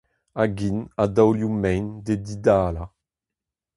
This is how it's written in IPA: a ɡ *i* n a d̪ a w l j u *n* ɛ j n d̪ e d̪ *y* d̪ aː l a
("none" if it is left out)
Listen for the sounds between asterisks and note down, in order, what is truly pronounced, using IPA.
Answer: i, m, i

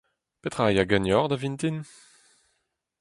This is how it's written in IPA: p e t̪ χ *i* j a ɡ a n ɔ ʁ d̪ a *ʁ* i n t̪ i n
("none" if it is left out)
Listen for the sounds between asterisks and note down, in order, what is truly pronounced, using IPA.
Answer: a, v

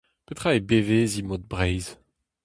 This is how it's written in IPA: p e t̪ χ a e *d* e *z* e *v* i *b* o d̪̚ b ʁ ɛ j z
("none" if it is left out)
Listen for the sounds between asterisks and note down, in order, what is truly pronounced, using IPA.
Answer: b, v, z, m

